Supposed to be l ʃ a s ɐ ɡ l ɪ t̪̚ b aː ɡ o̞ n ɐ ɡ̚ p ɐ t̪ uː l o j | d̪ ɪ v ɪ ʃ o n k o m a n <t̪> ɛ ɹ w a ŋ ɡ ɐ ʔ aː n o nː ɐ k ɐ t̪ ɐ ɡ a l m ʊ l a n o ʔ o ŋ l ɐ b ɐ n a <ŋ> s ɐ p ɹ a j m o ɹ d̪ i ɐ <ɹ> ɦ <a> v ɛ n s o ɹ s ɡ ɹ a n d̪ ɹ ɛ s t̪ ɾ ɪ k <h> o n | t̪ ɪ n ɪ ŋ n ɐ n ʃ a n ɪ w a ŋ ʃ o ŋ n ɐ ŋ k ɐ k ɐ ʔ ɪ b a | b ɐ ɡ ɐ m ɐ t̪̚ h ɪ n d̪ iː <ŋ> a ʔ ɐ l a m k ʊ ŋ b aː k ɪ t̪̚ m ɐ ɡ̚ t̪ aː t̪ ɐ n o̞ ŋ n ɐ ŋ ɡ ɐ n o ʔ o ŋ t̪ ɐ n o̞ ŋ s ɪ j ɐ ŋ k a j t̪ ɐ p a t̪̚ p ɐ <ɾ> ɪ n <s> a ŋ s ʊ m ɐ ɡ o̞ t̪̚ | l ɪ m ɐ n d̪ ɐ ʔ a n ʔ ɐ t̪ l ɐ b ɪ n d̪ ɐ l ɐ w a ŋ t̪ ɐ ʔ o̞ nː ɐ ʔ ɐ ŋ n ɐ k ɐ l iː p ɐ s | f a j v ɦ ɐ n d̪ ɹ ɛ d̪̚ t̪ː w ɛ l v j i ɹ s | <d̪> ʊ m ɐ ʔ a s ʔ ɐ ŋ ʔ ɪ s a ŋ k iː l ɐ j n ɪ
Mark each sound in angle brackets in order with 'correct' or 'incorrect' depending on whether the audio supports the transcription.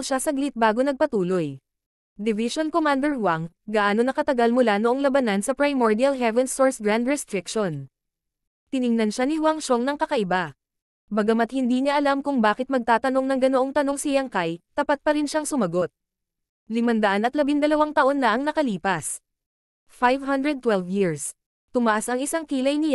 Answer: incorrect: d̪, incorrect: n, incorrect: l, incorrect: ɛ, incorrect: ʃ, incorrect: ɲ, correct, incorrect: ʃ, incorrect: t̪

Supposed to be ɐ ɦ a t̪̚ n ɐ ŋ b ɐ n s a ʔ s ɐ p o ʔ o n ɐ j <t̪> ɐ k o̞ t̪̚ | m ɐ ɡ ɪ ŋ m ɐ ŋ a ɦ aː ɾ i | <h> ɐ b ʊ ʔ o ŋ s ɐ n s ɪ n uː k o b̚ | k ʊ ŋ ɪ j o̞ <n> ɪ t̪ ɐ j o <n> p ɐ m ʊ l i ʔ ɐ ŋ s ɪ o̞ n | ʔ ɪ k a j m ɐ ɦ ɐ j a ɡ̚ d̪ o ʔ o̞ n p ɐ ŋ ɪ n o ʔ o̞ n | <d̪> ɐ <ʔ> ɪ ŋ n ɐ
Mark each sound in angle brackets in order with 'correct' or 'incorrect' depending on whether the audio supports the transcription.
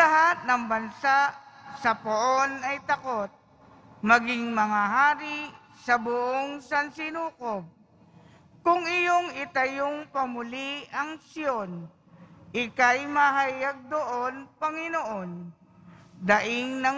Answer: correct, incorrect: s, incorrect: ŋ, incorrect: ŋ, correct, correct

